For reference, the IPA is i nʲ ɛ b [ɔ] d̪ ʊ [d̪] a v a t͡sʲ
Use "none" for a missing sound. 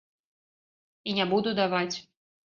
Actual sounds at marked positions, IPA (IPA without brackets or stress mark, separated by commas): u, d̪